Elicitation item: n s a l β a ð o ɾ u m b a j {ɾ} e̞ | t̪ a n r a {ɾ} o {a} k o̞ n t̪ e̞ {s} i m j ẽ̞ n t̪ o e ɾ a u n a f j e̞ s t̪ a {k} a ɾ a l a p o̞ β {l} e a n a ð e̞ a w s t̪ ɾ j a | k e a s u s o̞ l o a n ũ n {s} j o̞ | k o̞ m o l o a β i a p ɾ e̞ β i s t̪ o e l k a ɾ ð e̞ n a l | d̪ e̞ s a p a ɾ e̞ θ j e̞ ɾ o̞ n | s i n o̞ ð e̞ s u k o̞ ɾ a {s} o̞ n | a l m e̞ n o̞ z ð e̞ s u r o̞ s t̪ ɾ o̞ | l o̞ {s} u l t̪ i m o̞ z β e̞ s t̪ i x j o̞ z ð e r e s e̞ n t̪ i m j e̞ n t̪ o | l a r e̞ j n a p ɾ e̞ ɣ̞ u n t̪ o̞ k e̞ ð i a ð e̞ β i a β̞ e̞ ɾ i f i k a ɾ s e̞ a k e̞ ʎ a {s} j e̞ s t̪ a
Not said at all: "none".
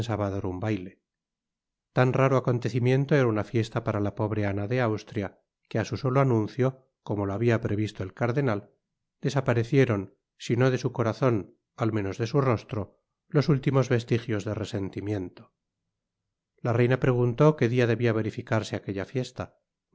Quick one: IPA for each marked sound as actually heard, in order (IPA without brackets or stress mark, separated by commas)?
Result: l, ɾ, a, θ, p, ɾ, θ, θ, s, f